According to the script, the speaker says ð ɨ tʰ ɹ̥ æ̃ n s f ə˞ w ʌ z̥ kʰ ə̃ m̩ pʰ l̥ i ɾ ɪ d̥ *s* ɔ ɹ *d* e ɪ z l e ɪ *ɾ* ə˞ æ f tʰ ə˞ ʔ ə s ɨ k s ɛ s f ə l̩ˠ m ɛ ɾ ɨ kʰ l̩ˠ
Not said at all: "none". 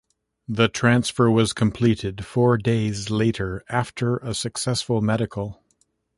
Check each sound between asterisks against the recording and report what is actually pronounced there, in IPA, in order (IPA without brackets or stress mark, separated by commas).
f, d, ɾ